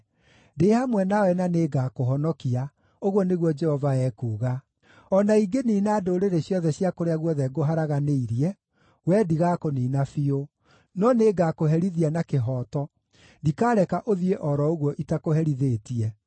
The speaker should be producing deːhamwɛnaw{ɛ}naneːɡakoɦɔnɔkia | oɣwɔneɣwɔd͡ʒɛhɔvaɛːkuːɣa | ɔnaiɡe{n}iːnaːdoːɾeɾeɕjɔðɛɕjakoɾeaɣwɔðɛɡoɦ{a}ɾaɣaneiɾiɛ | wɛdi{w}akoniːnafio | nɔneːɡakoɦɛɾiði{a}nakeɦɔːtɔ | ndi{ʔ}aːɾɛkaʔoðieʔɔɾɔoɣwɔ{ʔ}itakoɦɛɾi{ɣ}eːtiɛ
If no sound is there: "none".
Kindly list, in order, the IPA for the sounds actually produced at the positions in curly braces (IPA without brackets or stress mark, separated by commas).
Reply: ɛ, n, a, ɣ, a, k, ʔ, ð